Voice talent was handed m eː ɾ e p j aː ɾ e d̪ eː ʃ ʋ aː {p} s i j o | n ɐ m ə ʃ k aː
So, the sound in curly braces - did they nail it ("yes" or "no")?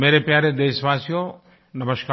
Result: no